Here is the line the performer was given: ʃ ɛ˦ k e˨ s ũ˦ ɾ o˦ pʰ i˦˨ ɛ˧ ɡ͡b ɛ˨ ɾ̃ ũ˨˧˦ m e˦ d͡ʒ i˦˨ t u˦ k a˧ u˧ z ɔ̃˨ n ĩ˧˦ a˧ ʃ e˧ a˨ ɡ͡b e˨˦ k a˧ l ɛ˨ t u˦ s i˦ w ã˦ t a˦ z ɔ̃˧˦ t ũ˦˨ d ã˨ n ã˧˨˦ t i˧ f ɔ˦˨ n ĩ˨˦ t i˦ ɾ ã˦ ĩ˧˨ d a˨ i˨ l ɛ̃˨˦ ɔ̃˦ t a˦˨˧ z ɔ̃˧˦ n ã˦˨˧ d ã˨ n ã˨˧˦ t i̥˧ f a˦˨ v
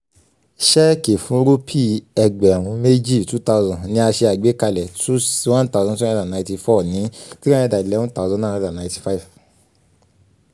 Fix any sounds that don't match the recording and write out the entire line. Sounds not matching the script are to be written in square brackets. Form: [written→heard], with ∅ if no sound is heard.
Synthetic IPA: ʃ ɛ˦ k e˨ [s→f] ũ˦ ɾ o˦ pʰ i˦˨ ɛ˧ ɡ͡b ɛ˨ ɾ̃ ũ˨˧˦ m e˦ d͡ʒ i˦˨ t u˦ [k→t] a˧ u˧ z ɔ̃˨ n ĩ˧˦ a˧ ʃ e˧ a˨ ɡ͡b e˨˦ k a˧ l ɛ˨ t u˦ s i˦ w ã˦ t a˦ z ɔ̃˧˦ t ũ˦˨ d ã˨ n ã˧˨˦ t i˧ f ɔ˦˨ n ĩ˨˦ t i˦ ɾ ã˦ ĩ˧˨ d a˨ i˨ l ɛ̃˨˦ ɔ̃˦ t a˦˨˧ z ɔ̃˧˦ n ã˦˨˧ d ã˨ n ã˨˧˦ t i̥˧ f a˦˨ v